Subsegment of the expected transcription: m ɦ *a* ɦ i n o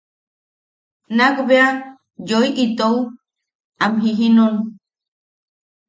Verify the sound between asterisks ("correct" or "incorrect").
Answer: incorrect